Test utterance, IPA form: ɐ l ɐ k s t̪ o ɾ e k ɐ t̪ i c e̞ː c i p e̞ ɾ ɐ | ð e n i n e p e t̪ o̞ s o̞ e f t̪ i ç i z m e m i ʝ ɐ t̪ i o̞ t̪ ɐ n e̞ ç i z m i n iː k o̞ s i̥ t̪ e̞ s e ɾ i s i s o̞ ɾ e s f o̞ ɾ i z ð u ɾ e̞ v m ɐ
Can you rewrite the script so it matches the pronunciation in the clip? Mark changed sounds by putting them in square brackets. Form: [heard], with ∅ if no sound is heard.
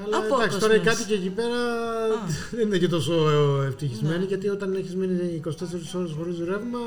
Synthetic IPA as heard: ɐ l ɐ k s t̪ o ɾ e k ɐ t̪ i c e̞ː c i p e̞ ɾ ɐ | ð e n i n e [c] e t̪ o̞ s o̞ e f t̪ i ç i z m e [n] i ʝ ɐ t̪ i o̞ t̪ ɐ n e̞ ç i z m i n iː k o̞ s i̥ t̪ e̞ s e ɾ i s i s o̞ ɾ e s [x] o̞ ɾ i z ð u ɾ e̞ v m ɐ